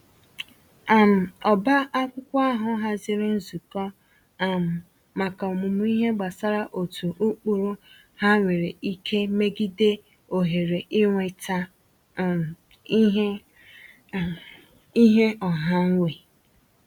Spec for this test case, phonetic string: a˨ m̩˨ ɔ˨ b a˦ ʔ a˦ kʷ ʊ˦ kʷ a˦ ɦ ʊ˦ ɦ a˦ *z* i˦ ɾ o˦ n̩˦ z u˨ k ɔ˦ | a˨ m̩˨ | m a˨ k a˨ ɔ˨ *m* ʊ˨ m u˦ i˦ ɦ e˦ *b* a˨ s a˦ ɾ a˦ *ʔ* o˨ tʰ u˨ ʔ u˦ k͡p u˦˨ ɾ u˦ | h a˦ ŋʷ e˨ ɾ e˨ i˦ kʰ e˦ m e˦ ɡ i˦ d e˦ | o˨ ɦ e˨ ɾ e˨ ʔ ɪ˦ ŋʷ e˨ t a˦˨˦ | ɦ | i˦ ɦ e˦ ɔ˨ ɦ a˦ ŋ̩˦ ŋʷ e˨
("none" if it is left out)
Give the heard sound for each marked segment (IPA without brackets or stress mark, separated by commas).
z, m, ɡ͡b, ʔ